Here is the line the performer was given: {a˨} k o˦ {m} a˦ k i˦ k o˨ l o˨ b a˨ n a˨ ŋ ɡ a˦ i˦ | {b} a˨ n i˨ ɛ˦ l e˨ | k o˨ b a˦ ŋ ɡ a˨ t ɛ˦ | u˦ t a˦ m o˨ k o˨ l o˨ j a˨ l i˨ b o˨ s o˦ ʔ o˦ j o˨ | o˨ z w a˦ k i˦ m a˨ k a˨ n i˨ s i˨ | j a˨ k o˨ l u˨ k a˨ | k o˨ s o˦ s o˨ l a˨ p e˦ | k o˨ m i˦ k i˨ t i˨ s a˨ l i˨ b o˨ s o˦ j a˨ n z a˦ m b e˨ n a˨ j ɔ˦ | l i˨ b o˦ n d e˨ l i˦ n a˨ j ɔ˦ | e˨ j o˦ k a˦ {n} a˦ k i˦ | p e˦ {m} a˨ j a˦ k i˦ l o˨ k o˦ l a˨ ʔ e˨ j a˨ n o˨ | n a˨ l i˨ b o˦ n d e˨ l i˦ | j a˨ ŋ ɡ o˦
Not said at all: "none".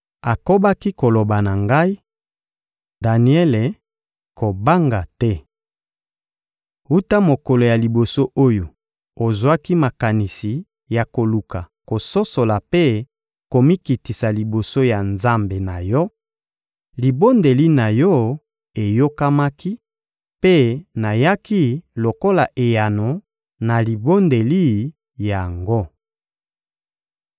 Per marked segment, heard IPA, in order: a˨, b, d, m, n

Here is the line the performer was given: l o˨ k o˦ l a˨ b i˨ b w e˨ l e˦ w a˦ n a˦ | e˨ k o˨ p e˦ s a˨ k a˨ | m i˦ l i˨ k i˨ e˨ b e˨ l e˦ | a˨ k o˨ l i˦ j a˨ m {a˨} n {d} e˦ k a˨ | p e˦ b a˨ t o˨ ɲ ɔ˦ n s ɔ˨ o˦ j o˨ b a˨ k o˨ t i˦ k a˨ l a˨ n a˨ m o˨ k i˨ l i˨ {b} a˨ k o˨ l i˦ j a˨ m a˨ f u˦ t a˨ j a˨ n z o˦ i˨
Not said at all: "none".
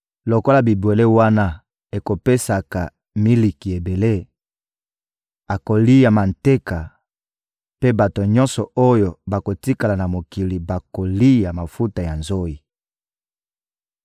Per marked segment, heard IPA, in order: a˨, t, b

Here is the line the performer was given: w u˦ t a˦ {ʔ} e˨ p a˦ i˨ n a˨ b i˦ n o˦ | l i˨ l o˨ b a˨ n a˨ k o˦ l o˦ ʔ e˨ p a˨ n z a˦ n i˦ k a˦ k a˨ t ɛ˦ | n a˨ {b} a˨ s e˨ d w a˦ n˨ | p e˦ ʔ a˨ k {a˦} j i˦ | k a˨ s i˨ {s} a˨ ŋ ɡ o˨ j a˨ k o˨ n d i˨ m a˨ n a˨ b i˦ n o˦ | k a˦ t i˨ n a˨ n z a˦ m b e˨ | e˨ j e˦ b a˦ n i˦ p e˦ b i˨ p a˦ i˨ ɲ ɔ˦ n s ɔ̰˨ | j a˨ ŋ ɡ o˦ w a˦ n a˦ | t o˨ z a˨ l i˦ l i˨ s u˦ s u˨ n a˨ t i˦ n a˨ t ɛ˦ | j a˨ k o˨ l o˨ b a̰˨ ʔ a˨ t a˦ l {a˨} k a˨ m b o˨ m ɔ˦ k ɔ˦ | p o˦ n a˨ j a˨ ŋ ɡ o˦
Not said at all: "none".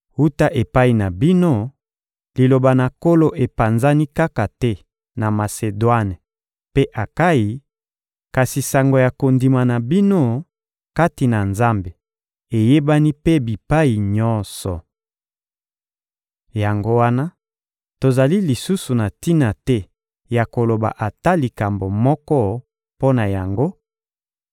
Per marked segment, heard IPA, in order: ʔ, m, a˦, s, i˨

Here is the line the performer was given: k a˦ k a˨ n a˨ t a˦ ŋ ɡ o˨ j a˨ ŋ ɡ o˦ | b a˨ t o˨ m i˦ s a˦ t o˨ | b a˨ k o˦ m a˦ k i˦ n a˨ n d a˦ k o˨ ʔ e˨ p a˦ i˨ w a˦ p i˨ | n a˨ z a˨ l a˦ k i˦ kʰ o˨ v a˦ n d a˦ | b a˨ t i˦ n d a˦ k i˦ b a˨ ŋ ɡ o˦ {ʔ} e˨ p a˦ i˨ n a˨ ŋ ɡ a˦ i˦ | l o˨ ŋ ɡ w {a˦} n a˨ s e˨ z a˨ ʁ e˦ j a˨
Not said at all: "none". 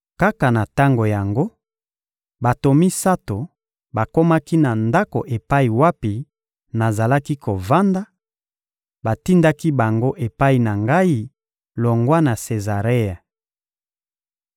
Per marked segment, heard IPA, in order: ʔ, a˦

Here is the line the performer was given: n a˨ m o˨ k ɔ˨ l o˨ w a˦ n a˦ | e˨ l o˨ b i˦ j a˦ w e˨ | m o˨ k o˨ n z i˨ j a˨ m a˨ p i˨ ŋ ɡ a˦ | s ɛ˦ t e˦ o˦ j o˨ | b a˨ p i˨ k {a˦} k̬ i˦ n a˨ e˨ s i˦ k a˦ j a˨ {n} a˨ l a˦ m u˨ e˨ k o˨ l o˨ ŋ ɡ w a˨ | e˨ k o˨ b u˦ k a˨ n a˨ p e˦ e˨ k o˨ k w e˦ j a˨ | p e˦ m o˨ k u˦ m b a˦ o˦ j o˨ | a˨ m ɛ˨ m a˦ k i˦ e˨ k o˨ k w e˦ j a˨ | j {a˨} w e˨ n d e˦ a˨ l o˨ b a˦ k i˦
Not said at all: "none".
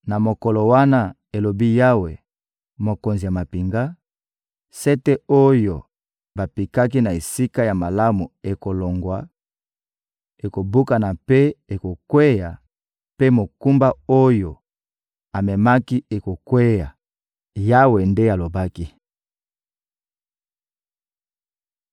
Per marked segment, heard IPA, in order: a˦, m, a˦

